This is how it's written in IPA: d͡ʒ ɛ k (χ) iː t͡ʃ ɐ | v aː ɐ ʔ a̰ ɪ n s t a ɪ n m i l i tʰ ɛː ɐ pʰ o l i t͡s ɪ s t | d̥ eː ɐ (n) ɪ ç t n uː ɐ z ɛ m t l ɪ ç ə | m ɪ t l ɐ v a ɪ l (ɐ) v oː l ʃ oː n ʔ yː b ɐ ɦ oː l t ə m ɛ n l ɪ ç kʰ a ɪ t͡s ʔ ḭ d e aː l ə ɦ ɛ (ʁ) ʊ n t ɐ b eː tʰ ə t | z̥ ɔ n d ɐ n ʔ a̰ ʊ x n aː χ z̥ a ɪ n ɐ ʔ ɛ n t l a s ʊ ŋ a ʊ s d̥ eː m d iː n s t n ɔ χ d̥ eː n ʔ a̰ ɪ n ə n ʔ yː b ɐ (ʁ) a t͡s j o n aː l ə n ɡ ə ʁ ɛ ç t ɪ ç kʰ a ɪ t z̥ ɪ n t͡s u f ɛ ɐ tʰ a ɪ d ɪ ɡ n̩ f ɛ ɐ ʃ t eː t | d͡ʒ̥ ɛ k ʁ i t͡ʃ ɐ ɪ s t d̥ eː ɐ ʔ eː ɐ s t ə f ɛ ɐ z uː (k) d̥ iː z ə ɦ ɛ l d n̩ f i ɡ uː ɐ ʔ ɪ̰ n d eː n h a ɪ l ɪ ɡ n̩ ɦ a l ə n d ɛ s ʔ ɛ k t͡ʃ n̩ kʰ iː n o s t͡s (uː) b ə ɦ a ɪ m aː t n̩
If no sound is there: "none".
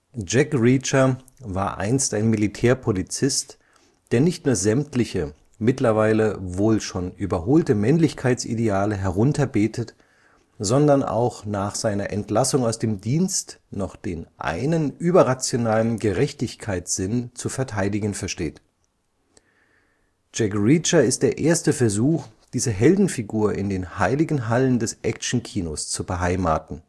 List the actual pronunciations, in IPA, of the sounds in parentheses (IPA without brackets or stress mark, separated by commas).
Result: ʁ, n, ə, ʁ, ʁ, x, u